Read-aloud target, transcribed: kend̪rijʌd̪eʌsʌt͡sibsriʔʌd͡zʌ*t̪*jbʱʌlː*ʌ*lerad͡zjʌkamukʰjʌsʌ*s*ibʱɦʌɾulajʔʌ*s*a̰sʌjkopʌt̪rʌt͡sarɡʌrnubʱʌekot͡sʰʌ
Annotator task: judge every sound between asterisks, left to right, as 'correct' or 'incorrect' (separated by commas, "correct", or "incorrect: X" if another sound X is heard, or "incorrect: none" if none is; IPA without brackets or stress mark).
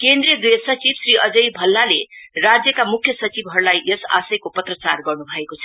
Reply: incorrect: none, incorrect: a, incorrect: t͡s, correct